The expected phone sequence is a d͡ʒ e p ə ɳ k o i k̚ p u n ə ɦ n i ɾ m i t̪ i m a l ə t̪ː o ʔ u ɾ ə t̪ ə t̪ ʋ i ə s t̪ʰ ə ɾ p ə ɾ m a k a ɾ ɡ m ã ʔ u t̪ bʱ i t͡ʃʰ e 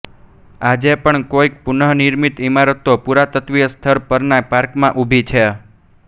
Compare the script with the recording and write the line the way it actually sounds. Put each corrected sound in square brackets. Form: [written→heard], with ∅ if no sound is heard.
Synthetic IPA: a d͡ʒ e p ə ɳ k o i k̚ p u n ə ɦ n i ɾ m i t̪ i m a [l→ɾ] ə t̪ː o [ʔ→p] u ɾ [ə→a] t̪ ə t̪ ʋ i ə s t̪ʰ ə ɾ p ə ɾ [m→n] a [k→p] a ɾ [ɡ→k] m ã ʔ u [t̪→∅] bʱ i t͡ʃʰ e